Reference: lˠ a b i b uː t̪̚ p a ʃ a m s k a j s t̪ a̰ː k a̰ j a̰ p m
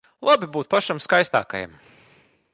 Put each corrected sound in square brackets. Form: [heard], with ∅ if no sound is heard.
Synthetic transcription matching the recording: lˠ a b i b uː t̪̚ p a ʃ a m s k a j s t̪ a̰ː k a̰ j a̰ [∅] m